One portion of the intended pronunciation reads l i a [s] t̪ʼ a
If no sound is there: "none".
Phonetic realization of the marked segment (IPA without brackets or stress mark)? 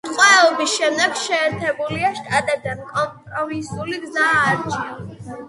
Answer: ʃ